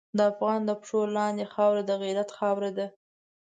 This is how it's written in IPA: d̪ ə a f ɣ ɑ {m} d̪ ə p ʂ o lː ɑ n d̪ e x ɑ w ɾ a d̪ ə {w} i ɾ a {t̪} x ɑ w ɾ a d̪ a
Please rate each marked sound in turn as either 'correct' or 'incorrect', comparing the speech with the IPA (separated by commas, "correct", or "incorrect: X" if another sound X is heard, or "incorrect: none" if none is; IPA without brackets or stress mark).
incorrect: n, incorrect: ɣ, correct